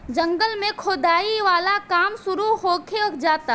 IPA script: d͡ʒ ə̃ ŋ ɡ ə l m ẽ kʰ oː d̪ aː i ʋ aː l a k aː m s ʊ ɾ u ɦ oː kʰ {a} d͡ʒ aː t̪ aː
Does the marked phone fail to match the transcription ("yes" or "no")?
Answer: yes